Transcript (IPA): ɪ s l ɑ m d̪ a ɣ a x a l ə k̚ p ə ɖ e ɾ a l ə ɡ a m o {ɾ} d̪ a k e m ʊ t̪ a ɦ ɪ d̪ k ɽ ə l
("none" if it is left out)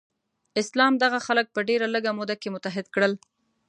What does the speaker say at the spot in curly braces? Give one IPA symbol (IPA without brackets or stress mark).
none